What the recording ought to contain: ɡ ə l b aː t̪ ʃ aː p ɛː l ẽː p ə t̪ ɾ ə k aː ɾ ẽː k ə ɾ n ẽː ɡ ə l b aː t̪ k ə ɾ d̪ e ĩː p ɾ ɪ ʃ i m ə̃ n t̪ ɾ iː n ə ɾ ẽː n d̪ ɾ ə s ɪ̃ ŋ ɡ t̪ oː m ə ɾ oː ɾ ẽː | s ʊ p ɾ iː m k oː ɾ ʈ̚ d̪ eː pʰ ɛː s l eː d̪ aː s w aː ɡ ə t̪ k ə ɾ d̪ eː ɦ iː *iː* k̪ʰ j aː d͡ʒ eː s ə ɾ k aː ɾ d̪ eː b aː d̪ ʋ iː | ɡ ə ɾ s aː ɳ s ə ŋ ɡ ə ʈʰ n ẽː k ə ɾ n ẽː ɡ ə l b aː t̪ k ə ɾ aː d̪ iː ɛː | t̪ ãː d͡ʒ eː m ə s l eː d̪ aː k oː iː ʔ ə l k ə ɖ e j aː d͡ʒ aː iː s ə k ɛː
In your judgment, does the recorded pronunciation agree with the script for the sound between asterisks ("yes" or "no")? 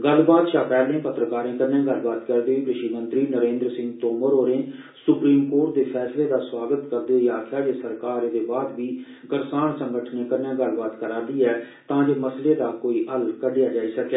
no